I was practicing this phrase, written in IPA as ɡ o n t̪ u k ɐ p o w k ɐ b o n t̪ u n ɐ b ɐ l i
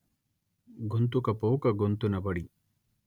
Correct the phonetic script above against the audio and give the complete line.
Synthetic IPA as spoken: ɡ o n t̪ u k ɐ p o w k ɐ ɡ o n t̪ u n ɐ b ɐ ɽ i